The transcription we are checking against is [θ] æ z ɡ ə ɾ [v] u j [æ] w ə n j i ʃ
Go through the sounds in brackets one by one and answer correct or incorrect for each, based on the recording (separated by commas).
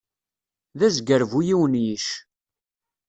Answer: incorrect, correct, incorrect